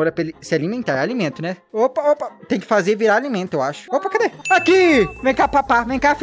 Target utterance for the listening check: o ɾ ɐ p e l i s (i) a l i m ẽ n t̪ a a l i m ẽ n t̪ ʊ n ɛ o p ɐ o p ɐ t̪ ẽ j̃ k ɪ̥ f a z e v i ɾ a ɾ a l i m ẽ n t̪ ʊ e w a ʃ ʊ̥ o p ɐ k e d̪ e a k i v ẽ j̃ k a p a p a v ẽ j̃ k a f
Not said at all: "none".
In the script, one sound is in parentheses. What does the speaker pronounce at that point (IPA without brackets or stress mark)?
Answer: ɪ